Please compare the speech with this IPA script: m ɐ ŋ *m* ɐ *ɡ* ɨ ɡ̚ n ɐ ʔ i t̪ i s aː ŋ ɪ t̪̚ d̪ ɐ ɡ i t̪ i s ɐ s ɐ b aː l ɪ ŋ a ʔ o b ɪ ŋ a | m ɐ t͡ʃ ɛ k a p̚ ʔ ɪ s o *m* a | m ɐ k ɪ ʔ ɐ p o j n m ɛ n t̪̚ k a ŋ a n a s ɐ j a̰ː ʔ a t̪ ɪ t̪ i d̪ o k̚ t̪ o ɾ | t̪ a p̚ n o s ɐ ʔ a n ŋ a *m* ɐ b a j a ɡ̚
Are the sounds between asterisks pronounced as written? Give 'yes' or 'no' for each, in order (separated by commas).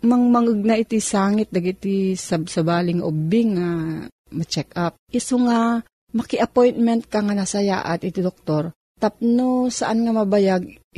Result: yes, no, no, yes